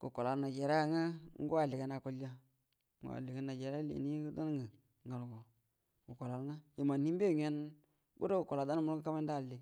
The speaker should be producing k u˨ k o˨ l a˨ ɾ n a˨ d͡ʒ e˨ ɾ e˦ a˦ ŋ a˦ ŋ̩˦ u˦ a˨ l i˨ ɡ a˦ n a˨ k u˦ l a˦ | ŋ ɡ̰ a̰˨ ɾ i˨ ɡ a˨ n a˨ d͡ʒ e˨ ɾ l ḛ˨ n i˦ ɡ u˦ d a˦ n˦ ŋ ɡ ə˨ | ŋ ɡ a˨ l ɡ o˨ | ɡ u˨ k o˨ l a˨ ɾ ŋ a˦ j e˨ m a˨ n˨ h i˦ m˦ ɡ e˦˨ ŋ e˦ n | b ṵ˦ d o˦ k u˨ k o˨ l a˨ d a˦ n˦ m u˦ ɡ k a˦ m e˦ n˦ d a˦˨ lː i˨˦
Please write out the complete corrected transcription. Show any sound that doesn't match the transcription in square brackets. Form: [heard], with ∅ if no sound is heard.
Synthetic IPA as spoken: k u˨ k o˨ l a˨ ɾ n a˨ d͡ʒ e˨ ɾ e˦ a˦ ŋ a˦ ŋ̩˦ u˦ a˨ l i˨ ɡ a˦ n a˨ k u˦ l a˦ | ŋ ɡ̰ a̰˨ [l] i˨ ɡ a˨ n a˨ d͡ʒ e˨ ɾ l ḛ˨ n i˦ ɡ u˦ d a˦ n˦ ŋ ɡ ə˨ | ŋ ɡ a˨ l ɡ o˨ | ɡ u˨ k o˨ l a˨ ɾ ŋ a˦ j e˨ m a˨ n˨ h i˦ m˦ [b] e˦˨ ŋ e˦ n | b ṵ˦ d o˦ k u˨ k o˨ l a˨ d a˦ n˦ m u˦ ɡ k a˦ m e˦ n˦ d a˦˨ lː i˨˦